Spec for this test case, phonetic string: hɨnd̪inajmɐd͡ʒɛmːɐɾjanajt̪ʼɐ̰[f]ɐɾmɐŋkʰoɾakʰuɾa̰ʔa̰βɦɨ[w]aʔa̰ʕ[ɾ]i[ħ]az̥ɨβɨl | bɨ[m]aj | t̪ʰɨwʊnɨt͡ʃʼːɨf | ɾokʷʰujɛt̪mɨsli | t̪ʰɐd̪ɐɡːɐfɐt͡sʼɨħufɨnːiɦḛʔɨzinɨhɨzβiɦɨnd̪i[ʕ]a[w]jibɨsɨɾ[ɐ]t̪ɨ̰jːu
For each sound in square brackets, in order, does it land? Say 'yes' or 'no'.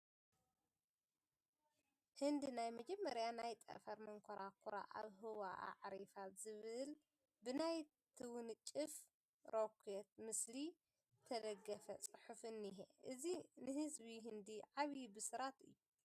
yes, yes, yes, no, no, yes, no, no

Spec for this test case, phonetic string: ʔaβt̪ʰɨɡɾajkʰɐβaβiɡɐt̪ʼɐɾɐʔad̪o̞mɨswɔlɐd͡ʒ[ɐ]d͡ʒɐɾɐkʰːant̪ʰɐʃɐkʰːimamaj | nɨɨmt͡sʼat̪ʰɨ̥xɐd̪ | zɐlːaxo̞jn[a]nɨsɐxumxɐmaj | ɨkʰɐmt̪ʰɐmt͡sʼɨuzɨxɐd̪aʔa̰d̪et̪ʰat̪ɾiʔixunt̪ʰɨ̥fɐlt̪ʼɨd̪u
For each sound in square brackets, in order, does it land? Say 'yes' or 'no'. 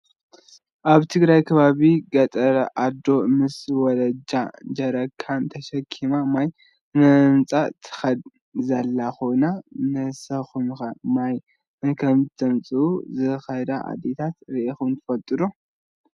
no, yes

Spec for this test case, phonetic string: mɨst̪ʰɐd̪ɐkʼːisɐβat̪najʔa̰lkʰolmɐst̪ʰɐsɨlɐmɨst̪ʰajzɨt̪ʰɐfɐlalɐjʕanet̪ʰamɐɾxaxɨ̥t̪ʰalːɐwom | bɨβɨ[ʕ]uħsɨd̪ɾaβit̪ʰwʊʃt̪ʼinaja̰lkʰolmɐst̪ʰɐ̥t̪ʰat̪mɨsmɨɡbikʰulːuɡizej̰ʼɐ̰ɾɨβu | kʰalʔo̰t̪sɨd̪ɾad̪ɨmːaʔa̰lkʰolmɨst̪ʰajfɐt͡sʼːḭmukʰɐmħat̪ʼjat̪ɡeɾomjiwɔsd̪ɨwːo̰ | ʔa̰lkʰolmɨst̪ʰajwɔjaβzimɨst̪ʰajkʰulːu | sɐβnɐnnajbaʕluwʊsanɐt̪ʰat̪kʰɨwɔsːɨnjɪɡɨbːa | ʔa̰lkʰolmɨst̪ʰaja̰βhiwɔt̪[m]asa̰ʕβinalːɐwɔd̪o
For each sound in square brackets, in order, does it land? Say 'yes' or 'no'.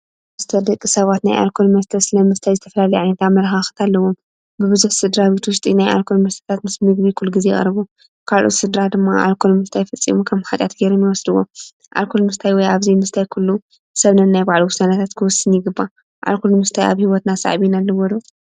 no, no

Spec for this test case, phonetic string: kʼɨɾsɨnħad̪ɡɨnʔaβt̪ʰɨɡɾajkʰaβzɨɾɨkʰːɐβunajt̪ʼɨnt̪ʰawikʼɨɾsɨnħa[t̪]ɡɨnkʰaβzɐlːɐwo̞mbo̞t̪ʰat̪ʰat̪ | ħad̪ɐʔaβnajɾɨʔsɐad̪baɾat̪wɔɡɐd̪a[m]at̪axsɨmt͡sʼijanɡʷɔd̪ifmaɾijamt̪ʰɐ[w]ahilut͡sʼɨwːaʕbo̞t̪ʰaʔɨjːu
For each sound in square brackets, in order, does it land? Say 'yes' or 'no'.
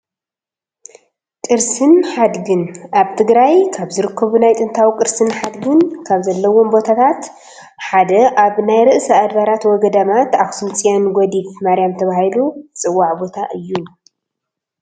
no, yes, no

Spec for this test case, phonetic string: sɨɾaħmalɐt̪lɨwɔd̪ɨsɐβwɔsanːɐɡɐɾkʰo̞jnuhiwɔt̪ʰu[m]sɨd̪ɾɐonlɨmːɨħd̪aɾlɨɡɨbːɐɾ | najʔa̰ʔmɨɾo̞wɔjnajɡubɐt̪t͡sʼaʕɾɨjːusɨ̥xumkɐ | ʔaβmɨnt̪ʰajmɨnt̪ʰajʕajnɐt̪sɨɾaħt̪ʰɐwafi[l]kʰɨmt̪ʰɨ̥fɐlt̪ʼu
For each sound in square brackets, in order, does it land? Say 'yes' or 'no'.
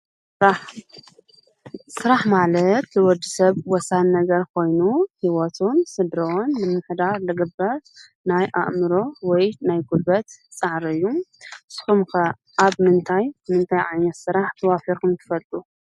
no, no

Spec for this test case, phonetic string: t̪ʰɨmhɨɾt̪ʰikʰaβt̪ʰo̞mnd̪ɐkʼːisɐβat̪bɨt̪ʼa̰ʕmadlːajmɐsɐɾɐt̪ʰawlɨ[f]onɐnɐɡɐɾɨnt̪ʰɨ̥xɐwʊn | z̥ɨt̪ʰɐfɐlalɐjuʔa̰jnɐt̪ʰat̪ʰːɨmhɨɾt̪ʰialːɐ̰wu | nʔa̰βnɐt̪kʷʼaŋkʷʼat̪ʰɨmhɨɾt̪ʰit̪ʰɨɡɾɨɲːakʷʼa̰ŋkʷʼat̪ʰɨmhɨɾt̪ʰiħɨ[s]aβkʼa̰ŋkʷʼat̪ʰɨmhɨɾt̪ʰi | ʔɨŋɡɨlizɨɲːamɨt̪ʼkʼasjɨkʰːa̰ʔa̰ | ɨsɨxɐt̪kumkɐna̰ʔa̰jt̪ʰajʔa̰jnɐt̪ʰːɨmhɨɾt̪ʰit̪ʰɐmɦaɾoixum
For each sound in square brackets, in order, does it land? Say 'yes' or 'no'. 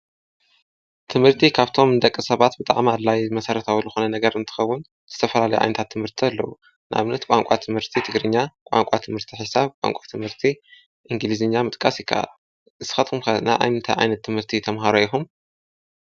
no, yes

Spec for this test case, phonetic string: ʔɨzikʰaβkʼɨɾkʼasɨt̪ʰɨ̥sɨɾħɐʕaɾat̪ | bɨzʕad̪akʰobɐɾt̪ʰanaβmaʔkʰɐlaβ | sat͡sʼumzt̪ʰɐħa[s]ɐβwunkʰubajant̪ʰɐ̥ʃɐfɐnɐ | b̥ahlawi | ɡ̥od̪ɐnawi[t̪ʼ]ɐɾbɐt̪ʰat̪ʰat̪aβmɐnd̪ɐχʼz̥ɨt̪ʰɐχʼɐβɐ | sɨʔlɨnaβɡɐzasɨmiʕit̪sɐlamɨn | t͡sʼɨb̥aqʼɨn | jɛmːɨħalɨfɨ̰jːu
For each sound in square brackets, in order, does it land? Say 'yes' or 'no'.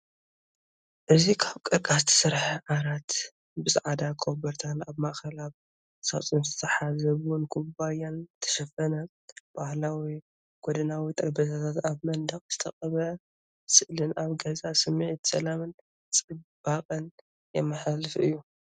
no, yes

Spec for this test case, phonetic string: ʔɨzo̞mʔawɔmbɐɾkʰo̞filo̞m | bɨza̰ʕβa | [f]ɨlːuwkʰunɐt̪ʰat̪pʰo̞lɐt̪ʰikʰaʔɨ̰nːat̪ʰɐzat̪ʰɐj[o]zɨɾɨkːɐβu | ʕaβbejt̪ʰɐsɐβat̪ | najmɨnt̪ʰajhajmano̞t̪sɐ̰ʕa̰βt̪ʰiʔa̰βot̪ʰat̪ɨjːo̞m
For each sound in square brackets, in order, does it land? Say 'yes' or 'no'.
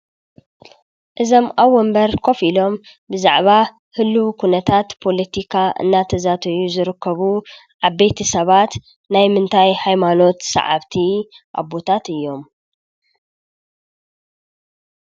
no, no

